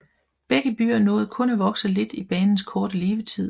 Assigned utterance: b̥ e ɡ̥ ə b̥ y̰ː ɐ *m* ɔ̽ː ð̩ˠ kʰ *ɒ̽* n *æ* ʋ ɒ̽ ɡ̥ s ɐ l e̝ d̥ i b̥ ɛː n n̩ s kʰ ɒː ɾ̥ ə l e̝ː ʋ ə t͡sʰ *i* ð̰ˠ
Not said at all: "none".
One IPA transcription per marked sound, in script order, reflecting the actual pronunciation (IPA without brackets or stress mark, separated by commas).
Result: n, ɔ̽, æ, i